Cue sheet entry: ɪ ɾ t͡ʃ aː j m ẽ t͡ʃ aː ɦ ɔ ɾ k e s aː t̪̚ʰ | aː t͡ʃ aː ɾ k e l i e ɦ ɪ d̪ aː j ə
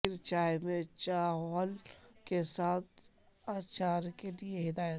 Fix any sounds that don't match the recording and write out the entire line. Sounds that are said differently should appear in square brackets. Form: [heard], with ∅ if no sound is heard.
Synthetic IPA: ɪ ɾ t͡ʃ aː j m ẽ t͡ʃ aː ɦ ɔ [l] k e s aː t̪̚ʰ | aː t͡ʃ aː ɾ k e l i e ɦ ɪ d̪ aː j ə